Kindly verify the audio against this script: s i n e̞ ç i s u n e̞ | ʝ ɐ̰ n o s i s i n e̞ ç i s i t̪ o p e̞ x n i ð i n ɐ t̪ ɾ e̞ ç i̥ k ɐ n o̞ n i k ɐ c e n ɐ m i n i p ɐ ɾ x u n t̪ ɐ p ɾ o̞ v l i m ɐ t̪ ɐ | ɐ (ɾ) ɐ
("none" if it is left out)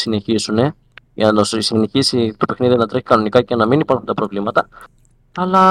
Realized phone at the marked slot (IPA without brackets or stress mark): l